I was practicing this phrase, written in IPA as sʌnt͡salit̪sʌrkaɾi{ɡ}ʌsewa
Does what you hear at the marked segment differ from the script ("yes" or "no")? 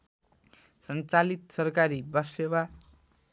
yes